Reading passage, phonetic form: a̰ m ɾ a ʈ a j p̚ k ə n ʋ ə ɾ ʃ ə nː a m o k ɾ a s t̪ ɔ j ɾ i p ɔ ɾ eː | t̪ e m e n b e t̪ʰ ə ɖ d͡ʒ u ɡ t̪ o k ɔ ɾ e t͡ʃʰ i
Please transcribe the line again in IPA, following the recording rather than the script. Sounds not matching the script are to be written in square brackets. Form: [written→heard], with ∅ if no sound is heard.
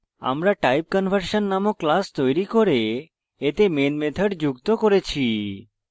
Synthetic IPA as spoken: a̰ m ɾ a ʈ a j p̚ k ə n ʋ ə ɾ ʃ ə nː a m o k [ɾ→l] a s t̪ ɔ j ɾ i [p→k] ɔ ɾ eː | t̪ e m e n [b→m] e t̪ʰ ə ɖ d͡ʒ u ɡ t̪ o k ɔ ɾ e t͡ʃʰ i